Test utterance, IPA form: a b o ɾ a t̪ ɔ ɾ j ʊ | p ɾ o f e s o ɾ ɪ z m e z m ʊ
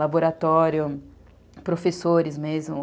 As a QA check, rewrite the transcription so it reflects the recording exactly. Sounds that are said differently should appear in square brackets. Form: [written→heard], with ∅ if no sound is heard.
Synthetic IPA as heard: a b o ɾ a t̪ ɔ ɾ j ʊ | p ɾ o f e s o ɾ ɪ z m e z m ʊ